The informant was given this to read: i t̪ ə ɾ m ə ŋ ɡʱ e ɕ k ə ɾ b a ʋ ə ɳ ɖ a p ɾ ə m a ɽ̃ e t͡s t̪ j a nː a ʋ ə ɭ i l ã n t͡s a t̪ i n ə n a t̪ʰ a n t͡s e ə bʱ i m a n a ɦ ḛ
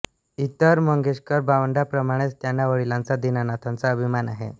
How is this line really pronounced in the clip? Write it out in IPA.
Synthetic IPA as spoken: i t̪ ə ɾ m ə ŋ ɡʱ e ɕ k ə ɾ b a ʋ ə ɳ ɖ a p ɾ ə m a ɽ̃ e t͡s t̪ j a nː a ʋ ə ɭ i l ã n t͡s a d̪ i n a n a t̪ʰ a n t͡s a ə bʱ i m a n a ɦ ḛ